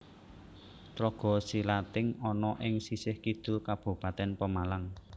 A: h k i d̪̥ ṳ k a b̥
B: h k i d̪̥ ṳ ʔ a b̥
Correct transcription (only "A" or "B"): A